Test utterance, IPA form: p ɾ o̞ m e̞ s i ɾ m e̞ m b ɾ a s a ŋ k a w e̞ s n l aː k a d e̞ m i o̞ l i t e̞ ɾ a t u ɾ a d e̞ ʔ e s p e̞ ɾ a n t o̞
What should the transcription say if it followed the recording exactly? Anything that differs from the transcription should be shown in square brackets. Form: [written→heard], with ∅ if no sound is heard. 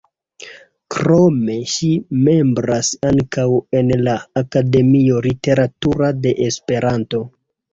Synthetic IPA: [p→k] ɾ o̞ m e̞ [s→ʃ] i [ɾ→∅] m e̞ m b ɾ a s a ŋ k a w e̞ [s→∅] n l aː k a d e̞ m i o̞ l i t e̞ ɾ a t u ɾ a d e̞ ʔ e s p e̞ ɾ a n t o̞